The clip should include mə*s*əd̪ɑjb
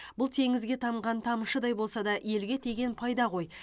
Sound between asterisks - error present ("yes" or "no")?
yes